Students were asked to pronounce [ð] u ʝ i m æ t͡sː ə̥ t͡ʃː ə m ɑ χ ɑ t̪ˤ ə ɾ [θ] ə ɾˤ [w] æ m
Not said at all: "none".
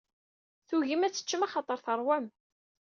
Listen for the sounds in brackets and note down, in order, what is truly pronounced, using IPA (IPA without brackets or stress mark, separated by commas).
θ, θ, w